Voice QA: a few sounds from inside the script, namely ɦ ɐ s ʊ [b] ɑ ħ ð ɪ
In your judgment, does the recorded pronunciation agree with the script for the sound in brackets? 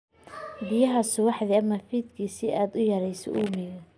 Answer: no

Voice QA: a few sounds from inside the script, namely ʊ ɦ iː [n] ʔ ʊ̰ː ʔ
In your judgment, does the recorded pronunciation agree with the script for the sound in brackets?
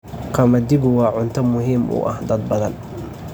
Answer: no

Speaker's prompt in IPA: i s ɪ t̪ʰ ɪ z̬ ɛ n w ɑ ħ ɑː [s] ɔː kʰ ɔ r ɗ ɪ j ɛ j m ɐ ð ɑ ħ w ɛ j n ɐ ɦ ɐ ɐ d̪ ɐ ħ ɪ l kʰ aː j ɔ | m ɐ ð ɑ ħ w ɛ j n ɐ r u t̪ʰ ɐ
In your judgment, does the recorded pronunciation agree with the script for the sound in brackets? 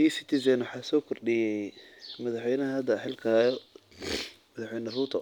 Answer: yes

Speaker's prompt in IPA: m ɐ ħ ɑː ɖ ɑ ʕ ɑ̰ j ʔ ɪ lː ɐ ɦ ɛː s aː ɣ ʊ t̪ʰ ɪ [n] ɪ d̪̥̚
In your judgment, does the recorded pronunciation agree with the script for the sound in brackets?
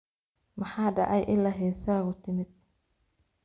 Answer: no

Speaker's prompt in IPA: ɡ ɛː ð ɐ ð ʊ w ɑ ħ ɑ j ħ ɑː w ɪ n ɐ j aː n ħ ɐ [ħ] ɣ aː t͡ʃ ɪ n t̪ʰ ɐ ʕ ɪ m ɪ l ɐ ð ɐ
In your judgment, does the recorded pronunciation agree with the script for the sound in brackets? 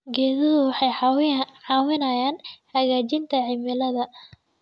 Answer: no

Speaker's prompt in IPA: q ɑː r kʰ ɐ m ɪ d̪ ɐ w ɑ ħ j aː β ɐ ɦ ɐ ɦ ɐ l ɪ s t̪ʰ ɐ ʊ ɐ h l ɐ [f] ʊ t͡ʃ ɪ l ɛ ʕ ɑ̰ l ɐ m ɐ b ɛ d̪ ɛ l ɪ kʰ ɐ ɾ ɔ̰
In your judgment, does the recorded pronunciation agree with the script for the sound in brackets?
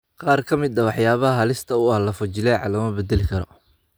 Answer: yes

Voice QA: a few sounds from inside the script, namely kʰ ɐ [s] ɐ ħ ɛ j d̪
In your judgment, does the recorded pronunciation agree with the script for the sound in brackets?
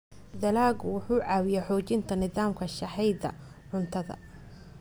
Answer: no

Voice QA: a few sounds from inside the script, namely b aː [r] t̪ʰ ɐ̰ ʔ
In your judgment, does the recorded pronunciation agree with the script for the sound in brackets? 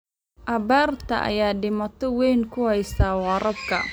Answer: yes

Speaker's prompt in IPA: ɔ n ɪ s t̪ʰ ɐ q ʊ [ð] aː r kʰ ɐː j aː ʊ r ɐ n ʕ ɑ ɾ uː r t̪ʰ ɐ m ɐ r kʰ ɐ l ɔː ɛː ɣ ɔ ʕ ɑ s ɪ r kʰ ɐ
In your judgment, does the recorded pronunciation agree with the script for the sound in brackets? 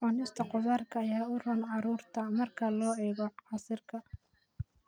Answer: yes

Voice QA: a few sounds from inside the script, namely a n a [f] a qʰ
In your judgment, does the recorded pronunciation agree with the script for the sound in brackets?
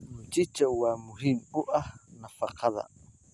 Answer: yes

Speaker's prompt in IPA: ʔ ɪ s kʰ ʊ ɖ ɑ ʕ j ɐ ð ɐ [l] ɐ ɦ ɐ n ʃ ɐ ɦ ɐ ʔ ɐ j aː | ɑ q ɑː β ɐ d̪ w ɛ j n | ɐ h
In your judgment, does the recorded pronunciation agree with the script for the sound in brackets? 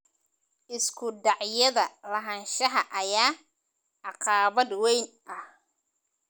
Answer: yes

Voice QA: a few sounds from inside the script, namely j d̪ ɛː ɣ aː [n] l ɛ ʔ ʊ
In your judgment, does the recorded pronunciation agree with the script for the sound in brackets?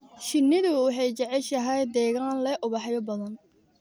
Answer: yes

